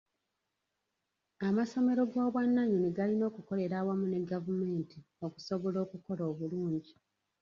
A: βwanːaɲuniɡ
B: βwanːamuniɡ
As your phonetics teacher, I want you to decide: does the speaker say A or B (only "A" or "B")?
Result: A